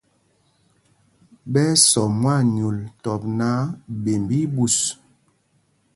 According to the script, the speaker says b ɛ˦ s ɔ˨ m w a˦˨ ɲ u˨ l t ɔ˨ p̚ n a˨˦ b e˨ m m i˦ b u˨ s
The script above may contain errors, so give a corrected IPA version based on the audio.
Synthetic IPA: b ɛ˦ s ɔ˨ m w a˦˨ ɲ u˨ l t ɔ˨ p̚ n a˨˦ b e˨ m b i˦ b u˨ s